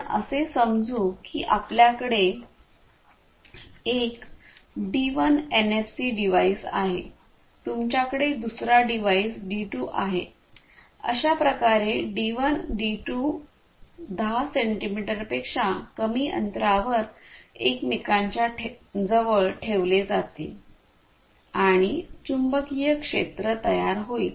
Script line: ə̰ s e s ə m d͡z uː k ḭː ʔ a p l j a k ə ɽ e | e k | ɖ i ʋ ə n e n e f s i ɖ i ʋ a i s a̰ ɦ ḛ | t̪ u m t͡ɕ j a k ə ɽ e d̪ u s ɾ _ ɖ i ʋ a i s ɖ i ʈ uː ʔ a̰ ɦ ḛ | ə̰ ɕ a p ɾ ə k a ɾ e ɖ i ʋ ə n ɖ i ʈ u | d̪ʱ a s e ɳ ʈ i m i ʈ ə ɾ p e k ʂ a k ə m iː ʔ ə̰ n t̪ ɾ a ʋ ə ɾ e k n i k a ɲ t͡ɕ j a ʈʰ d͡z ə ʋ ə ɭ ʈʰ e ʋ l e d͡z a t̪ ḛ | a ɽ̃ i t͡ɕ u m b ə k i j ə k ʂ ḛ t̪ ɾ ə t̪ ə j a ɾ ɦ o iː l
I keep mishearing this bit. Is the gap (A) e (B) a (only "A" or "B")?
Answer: B